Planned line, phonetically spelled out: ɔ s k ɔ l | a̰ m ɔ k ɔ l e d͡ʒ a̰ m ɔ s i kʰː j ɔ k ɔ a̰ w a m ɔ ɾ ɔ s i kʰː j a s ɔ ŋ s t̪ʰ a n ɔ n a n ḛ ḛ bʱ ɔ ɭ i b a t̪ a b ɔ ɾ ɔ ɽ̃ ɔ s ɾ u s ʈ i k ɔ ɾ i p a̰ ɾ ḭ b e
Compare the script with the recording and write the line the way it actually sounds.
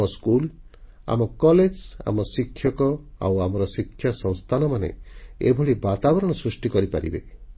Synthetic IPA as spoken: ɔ s k u l | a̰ m ɔ k ɔ l e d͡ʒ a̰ m ɔ s i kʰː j ɔ k ɔ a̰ w a m ɔ ɾ ɔ s i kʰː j a s ɔ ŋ s t̪ʰ a n ɔ m a n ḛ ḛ bʱ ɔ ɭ i b a t̪ a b ɔ ɾ ɔ ɽ̃ ɔ s ɾ u s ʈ i k ɔ ɾ i p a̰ ɾ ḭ b e